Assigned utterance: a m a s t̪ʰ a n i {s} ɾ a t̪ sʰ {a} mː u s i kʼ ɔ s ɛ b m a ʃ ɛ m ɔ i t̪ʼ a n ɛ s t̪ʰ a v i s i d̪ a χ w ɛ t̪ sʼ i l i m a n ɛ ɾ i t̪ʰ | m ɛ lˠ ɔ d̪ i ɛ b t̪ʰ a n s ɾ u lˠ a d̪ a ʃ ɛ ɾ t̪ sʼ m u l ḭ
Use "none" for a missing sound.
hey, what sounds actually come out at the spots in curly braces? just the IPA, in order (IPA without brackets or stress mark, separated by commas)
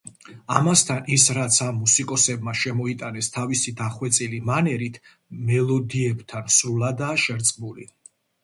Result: s, a